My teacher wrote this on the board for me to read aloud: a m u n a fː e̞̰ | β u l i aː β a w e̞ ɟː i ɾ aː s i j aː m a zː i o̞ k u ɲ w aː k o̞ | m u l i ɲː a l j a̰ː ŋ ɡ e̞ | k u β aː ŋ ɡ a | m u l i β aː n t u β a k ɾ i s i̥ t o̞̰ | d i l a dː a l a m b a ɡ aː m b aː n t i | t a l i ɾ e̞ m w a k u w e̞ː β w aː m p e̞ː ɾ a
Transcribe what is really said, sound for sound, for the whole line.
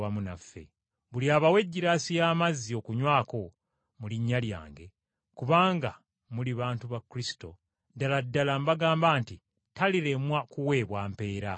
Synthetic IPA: a m u n a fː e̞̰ | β u l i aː β a w e̞ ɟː i ɾ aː s i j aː m a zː i o̞ k u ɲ w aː k o̞ | m u l i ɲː a l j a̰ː ŋ ɡ e̞ | k u β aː ŋ ɡ a | m u l i β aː n t u β a k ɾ i s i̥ t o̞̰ | d a l a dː a l a m b a ɡ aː m b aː n t i | t a l i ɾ e̞ m w a k u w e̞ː β w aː m p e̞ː ɾ a